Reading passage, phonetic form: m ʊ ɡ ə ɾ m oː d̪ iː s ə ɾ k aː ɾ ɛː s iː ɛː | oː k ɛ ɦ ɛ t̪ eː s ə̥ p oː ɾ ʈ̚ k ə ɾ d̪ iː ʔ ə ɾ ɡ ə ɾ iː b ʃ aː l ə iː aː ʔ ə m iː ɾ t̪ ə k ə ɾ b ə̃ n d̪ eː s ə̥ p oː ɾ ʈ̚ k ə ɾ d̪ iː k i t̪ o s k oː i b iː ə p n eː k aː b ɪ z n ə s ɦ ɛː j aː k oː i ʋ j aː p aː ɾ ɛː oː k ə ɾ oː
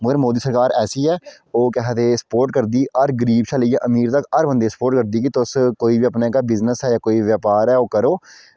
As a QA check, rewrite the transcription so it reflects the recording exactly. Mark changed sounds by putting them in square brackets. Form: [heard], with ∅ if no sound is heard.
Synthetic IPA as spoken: m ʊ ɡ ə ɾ m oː d̪ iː s ə ɾ k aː ɾ ɛː s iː ɛː | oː k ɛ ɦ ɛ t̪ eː s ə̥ p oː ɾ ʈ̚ k ə ɾ d̪ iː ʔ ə ɾ ɡ ə ɾ iː b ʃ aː l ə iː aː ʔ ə m iː ɾ t̪ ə k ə ɾ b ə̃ n d̪ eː s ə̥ p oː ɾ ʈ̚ k ə ɾ d̪ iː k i t̪ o s k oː i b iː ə p n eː k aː b ɪ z n ə s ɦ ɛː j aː k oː i ʋ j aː p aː ɾ ɛː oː k ə ɾ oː